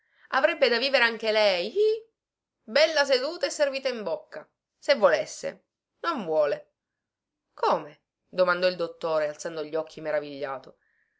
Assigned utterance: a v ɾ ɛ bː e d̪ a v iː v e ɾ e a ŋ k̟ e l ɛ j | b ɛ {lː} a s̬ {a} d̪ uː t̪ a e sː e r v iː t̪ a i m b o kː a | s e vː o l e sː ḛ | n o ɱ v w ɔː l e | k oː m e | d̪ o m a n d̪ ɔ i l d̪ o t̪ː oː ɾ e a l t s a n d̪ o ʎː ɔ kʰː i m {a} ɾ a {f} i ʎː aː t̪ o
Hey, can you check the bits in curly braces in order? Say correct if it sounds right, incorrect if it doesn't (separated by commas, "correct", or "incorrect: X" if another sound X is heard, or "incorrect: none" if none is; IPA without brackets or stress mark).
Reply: correct, incorrect: e, incorrect: e, incorrect: v